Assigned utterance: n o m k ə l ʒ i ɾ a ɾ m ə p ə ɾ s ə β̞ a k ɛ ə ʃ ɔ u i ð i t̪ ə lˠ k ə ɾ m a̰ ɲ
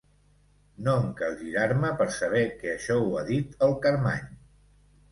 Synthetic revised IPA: n o ŋ k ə l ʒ i ɾ a ɾ m ə p ə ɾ s ə β̞ ɛ k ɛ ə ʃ ɔ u a ð i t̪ ə lˠ k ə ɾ m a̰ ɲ